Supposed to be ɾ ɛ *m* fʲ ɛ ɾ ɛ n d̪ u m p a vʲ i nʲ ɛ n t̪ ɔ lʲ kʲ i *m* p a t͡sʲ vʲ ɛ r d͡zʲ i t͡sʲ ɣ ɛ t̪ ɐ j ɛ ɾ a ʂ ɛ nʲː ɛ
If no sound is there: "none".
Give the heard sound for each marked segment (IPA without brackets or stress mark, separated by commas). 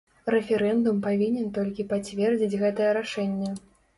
none, none